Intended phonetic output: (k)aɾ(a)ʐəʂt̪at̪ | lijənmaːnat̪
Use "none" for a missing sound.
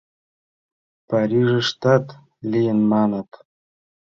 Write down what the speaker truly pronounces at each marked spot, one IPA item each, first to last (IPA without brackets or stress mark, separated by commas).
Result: p, i